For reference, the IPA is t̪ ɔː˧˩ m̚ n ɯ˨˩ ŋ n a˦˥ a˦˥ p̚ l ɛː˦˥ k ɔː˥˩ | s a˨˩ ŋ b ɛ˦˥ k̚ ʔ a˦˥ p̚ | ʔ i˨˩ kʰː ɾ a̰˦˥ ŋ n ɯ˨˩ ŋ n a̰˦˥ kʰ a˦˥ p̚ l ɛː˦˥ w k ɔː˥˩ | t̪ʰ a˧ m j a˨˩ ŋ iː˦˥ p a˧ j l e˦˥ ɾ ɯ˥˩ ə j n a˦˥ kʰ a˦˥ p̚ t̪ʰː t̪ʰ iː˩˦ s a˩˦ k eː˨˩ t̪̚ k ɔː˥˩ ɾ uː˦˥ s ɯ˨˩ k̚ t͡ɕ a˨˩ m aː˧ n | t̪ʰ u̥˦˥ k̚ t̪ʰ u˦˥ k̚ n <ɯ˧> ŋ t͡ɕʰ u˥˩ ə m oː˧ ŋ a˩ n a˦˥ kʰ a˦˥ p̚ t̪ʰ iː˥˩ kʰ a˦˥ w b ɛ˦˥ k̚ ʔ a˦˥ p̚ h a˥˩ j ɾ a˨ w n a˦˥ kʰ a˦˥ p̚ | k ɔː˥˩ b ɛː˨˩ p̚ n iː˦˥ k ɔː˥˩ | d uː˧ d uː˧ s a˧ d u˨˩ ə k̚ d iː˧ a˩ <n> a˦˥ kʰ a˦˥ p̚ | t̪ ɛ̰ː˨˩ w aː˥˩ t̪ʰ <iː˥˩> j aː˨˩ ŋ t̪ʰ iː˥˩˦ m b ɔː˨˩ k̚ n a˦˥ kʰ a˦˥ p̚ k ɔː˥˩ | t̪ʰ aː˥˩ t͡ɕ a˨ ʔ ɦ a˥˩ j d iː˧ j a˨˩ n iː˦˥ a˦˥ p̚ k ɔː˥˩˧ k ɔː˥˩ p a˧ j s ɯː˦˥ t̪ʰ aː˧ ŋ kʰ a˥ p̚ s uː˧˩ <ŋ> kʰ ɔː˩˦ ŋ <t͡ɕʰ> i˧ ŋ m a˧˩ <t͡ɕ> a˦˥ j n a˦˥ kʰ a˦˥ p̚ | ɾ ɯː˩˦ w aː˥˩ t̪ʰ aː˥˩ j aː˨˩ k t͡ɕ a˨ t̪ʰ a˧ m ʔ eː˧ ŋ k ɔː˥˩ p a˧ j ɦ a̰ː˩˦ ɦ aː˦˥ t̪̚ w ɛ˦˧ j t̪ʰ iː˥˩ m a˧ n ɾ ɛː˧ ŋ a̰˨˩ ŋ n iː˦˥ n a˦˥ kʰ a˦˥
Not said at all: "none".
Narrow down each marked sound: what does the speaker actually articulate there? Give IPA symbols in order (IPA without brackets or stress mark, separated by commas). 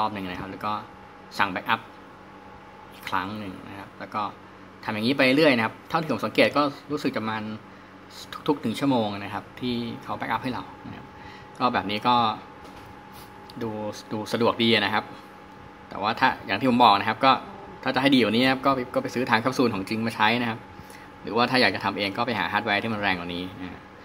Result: ɯ˩˦, n, aː˥˩, n, t͡ɕ, t͡ɕʰ